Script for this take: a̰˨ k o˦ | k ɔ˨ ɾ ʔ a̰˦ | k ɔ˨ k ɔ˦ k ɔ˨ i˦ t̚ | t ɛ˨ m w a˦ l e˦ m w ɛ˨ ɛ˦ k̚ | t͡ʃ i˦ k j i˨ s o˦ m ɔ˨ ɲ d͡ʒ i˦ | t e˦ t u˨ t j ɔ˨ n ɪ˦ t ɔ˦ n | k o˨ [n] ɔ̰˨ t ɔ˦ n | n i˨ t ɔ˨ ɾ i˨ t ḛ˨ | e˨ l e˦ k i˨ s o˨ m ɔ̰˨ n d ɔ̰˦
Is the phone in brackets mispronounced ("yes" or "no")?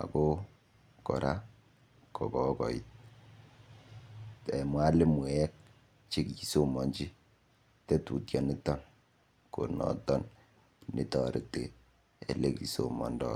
no